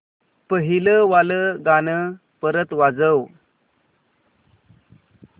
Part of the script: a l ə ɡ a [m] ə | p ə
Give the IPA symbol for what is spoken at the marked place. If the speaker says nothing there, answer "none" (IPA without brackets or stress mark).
n